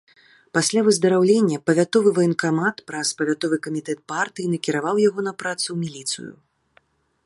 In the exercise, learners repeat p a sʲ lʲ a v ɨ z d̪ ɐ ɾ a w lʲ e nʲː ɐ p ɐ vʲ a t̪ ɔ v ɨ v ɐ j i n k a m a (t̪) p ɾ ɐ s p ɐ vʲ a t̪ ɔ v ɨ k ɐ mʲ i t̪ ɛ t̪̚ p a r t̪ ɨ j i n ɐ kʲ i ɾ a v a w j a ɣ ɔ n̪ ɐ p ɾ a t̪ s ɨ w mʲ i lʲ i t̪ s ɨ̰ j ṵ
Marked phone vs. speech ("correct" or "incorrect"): correct